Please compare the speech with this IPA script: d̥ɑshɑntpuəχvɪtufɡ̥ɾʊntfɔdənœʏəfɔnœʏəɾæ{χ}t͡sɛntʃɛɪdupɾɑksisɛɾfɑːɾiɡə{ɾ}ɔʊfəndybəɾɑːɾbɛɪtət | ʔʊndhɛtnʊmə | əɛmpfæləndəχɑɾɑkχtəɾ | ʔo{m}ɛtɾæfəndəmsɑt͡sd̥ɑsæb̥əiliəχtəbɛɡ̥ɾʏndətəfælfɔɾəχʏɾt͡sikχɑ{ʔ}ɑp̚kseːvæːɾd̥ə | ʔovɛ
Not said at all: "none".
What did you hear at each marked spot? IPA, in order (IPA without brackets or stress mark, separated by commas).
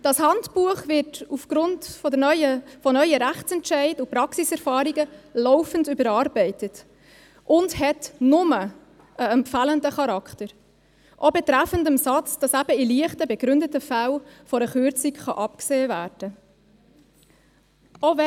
χ, l, b, ʔ